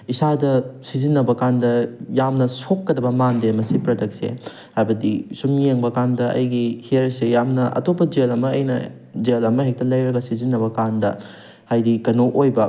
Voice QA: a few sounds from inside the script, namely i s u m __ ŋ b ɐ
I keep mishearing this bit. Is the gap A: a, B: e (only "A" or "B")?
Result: B